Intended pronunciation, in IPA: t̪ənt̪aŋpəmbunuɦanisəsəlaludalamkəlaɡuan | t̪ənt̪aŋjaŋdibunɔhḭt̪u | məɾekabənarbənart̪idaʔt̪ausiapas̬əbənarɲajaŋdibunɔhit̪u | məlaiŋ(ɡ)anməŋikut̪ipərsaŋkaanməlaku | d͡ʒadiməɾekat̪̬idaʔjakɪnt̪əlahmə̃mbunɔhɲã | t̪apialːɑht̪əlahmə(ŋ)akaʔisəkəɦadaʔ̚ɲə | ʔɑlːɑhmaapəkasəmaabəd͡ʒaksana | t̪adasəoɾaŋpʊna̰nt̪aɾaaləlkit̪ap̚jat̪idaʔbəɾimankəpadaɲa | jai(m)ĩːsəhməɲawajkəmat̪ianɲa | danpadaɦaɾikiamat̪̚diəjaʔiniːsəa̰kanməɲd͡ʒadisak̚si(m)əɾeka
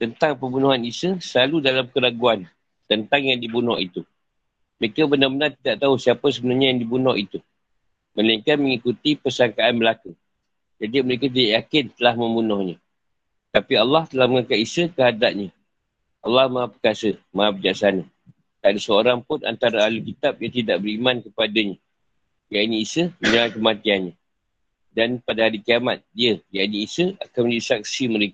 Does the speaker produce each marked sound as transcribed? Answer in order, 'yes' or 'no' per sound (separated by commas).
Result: no, yes, no, yes